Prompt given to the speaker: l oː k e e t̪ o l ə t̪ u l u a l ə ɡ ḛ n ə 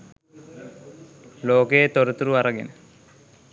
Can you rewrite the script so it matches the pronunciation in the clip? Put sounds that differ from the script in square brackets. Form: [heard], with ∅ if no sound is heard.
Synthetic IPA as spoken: l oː k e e t̪ o [ɾ] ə t̪ u [ɾ] u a [ɾ] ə ɡ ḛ n ə